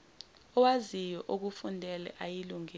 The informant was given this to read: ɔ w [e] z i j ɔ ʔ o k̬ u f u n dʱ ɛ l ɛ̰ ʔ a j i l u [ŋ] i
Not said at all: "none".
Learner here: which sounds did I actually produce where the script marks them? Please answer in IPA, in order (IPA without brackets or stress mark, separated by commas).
a, ŋ